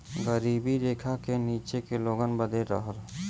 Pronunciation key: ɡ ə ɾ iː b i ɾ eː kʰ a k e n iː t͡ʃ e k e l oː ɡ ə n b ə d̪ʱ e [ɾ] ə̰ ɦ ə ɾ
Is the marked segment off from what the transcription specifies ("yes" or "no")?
no